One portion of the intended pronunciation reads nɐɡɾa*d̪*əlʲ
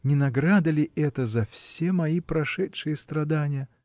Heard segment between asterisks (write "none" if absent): d̪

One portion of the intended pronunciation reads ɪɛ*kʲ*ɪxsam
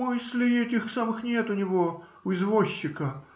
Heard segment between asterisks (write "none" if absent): tʲ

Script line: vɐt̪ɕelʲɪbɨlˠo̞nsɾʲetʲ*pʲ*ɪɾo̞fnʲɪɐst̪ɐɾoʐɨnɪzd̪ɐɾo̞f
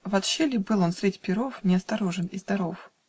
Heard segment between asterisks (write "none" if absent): pʲ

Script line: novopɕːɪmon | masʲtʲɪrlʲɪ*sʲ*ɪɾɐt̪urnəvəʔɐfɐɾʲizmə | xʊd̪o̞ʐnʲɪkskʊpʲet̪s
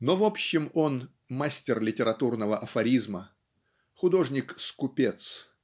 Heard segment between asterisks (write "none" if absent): tʲ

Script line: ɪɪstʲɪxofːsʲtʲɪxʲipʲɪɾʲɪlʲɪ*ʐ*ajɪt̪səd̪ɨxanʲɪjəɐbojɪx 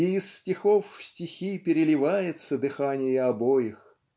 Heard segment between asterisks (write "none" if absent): v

